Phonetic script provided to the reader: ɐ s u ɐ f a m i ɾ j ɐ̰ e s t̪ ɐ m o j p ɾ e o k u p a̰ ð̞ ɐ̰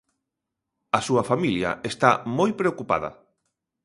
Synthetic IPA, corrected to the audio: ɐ s u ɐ f a m i l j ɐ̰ e s t̪ a m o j p ɾ e o k u p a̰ ð̞ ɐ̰